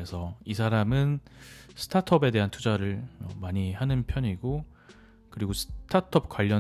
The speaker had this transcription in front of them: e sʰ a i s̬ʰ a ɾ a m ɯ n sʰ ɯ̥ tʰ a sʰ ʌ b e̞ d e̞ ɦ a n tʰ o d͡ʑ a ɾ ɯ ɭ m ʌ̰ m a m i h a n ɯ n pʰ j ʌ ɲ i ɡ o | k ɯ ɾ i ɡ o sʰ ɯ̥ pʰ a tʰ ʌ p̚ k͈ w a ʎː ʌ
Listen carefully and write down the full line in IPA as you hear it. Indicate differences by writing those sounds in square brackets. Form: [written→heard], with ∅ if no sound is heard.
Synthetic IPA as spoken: e sʰ [a→ʌ] i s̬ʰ a ɾ a m ɯ n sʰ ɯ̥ tʰ a [sʰ→tʰ] ʌ b e̞ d e̞ ɦ a n tʰ [o→u] d͡ʑ a ɾ ɯ ɭ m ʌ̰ m a [m→ɲ] i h a n ɯ n pʰ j ʌ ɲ i ɡ o | k ɯ ɾ i ɡ o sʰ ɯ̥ [pʰ→tʰ] a tʰ ʌ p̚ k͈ w a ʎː ʌ